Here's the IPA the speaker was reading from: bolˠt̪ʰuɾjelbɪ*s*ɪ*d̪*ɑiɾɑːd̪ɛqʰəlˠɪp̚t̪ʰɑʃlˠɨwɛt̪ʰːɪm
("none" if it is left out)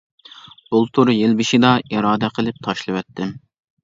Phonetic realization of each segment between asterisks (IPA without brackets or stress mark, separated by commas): ʃ, d̪